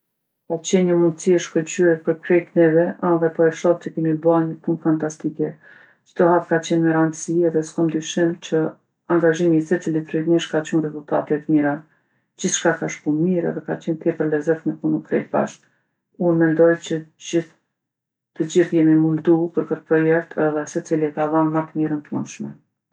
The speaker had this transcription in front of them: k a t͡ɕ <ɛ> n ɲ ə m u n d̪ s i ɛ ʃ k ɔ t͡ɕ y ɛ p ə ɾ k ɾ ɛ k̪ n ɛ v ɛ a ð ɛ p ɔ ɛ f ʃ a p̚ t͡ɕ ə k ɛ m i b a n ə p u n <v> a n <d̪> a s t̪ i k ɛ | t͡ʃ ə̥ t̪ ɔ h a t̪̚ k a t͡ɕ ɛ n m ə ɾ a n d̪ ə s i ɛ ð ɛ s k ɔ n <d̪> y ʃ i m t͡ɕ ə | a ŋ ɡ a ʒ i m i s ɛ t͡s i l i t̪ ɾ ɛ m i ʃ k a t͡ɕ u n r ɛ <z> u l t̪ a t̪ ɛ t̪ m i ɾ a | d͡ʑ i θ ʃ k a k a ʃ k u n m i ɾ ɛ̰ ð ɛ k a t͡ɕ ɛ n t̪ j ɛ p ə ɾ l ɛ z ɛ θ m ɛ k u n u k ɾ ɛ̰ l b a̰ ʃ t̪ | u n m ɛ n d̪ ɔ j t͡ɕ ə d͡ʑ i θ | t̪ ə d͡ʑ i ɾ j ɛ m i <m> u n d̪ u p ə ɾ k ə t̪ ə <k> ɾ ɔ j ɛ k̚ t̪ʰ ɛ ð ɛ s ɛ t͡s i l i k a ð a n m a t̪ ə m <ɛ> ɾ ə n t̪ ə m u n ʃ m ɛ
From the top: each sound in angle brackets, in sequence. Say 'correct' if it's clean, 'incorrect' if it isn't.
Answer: correct, incorrect: f, incorrect: t̪, correct, correct, correct, incorrect: p, incorrect: i

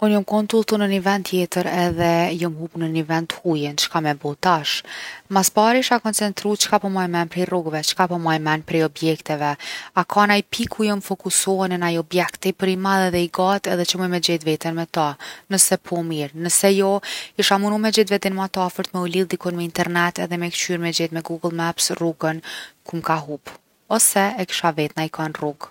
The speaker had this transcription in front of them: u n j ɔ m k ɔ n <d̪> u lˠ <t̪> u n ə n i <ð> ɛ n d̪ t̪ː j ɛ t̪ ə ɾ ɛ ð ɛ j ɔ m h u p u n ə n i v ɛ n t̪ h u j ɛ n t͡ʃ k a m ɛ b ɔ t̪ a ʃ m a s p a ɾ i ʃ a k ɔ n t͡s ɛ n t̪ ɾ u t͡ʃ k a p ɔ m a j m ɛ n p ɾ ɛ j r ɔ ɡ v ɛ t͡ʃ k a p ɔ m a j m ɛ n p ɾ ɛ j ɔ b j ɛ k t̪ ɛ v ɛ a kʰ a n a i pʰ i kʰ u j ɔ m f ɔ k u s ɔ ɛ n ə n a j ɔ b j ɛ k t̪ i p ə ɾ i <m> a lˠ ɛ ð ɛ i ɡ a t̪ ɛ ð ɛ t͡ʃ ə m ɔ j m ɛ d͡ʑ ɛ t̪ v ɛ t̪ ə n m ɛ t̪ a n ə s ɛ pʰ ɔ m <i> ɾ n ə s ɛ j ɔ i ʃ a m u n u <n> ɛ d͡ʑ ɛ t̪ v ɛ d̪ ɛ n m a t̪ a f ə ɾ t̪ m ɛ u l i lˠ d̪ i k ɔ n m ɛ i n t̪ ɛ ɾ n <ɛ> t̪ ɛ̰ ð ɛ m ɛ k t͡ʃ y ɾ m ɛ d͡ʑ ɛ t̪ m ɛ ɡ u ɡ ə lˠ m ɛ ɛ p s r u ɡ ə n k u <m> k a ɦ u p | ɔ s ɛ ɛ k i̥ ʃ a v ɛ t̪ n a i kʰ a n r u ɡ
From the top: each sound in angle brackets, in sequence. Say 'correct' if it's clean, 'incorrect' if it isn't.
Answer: incorrect: t̪, correct, incorrect: v, correct, correct, incorrect: m, correct, correct

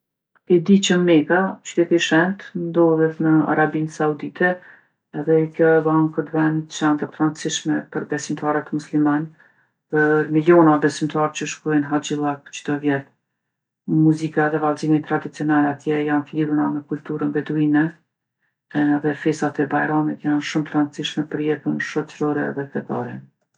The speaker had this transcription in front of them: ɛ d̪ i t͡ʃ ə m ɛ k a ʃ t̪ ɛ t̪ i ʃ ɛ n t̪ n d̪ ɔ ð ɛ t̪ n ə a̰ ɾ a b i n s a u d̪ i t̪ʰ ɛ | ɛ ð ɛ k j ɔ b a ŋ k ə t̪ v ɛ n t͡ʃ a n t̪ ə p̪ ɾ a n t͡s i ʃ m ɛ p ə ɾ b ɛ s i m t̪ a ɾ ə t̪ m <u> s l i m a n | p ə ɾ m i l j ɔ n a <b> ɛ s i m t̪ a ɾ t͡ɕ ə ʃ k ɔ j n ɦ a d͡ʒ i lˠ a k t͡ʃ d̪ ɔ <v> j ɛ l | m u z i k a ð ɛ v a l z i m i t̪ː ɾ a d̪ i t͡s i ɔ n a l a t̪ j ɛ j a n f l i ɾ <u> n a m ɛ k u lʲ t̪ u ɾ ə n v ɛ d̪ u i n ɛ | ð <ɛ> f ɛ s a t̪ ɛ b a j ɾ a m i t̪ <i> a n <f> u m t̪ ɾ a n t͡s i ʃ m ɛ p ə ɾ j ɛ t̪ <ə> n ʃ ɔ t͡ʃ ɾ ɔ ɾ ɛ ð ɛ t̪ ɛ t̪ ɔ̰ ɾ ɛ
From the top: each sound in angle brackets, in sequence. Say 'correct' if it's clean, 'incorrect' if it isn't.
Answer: correct, correct, correct, correct, correct, incorrect: j, incorrect: ʃ, correct

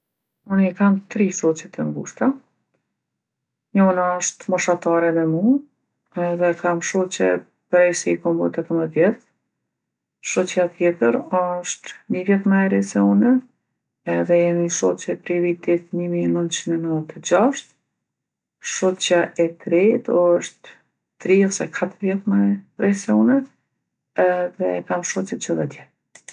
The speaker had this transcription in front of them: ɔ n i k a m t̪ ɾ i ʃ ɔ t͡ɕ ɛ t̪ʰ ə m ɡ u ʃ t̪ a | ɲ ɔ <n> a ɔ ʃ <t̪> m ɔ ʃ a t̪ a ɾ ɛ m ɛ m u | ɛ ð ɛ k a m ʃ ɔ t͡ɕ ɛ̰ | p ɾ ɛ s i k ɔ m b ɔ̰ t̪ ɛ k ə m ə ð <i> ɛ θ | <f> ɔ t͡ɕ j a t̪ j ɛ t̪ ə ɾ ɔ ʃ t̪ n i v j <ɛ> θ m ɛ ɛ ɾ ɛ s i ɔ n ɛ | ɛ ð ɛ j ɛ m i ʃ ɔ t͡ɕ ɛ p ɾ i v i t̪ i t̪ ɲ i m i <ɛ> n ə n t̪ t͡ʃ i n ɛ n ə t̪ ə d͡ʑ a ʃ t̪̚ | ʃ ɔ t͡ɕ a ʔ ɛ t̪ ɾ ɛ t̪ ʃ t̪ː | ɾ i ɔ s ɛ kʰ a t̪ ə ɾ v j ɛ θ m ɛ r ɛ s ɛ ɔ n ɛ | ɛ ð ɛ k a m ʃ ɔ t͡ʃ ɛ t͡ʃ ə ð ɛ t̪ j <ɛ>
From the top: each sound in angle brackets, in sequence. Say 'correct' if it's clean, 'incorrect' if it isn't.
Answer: correct, correct, incorrect: j, incorrect: ʃ, correct, correct, correct

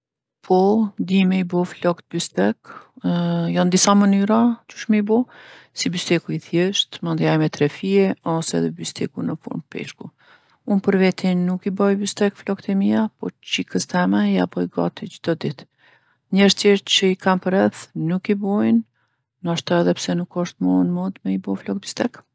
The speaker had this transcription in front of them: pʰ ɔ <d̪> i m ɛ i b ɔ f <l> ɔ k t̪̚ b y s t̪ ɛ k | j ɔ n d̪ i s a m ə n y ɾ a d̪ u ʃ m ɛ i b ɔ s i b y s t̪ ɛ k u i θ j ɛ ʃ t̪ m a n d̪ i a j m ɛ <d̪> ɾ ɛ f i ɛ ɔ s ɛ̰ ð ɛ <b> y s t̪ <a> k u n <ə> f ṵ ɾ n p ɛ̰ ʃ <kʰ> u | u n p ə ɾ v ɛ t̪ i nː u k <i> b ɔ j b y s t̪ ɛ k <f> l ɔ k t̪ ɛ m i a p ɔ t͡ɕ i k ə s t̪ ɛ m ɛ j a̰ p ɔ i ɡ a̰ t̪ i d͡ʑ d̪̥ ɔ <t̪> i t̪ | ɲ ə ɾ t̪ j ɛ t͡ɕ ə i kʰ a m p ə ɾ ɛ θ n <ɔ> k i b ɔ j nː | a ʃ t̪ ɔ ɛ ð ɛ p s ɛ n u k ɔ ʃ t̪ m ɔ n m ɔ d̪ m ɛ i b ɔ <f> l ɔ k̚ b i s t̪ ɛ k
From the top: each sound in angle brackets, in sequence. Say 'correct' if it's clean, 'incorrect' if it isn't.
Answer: correct, correct, incorrect: t̪, correct, incorrect: ɛ, correct, incorrect: k, correct, correct, incorrect: d̪, incorrect: u, correct

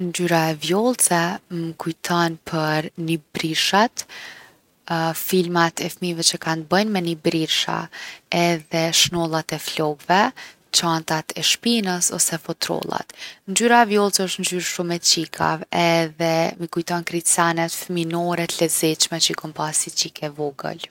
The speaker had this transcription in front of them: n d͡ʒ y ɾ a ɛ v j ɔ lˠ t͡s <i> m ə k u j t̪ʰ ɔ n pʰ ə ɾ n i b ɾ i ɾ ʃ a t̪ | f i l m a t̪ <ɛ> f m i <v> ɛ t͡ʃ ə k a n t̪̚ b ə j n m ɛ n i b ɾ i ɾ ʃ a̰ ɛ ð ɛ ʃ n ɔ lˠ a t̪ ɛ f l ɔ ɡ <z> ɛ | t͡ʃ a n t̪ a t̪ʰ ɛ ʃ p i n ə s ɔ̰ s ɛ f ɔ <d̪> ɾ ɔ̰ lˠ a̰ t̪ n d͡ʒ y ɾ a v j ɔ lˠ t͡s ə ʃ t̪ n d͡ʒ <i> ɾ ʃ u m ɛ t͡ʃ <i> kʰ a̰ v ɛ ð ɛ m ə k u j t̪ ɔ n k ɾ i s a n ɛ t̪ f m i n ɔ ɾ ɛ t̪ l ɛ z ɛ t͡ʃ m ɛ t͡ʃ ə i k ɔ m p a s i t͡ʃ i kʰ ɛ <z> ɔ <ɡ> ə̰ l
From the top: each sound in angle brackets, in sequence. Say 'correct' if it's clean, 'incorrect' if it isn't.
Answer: incorrect: ɛ, correct, correct, incorrect: v, incorrect: t̪, incorrect: y, correct, incorrect: v, correct

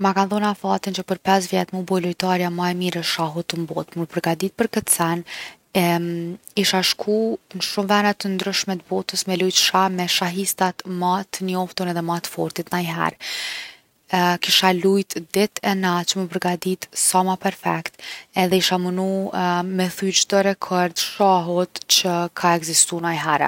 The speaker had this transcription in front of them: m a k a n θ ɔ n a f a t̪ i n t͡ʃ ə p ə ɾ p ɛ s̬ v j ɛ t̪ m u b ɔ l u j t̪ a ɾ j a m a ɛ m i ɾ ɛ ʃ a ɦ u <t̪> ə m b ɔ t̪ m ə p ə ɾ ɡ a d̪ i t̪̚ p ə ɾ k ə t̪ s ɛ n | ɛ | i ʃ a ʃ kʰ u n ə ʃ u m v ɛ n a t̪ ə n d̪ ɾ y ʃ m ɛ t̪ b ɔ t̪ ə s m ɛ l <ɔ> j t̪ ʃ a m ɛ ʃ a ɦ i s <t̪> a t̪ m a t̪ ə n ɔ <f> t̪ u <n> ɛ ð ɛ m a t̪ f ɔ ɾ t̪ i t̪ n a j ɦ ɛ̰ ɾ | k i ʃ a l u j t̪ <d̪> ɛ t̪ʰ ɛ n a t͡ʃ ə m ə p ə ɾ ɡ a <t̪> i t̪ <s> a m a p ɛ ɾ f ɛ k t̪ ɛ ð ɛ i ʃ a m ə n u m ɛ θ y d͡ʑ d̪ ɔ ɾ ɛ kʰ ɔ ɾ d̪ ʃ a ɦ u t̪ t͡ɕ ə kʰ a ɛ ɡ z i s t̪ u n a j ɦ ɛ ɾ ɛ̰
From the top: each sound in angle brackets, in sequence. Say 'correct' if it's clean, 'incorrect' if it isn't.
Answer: correct, incorrect: u, correct, correct, correct, correct, incorrect: d̪, correct

